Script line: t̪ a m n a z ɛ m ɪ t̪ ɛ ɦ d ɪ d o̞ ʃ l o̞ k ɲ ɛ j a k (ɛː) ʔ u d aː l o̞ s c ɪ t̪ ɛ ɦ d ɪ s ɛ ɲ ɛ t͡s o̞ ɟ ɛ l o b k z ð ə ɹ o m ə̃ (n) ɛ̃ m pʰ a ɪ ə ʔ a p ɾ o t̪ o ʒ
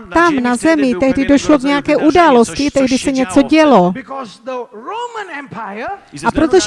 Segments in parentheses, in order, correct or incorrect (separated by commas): correct, correct